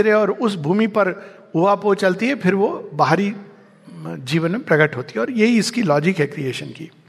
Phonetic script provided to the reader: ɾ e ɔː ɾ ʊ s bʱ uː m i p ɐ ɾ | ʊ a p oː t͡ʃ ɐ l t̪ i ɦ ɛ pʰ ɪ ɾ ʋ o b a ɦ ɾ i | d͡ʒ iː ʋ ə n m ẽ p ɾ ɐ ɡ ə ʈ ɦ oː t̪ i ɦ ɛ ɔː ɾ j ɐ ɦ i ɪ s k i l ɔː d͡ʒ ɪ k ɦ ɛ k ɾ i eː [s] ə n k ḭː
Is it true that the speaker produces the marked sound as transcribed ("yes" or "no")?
no